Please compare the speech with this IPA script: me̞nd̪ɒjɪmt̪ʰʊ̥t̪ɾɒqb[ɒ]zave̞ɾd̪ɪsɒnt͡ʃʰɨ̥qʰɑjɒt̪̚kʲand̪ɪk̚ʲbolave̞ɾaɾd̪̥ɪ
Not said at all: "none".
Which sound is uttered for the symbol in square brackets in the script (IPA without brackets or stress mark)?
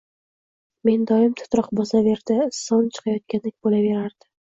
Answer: ɒ